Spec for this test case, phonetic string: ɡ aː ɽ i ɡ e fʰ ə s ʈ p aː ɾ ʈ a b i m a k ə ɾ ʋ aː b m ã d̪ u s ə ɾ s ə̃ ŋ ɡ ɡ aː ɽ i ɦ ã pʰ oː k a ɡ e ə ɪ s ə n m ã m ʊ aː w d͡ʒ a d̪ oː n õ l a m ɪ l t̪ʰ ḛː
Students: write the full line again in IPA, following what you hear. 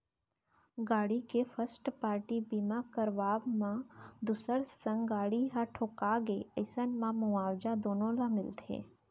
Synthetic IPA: ɡ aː ɽ i k e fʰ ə s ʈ p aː ɾ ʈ i b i m a k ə ɾ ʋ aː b m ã d̪ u s ə ɾ s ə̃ ŋ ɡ ɡ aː ɽ i ɦ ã ʈʰ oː k a ɡ e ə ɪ s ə n m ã m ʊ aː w d͡ʒ a d̪ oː n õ l a m ɪ l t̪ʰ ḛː